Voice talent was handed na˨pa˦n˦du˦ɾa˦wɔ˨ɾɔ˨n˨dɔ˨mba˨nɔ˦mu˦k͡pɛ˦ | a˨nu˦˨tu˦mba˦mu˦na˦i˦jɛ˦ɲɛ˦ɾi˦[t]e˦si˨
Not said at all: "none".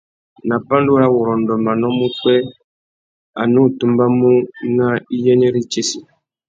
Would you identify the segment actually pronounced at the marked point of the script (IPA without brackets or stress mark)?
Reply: t͡ʃ